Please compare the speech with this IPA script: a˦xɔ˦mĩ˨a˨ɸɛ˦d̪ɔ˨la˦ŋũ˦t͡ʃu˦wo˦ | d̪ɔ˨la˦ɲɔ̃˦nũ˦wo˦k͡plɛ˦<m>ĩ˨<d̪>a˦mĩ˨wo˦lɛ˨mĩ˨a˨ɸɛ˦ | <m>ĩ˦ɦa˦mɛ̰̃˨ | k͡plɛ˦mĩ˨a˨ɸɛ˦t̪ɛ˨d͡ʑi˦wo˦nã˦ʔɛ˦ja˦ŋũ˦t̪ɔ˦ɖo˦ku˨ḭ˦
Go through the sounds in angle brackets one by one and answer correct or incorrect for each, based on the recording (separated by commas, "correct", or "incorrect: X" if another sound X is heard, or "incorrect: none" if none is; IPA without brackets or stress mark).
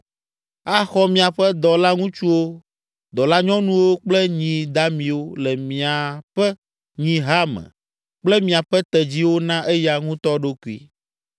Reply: incorrect: ɲ, correct, incorrect: ɲ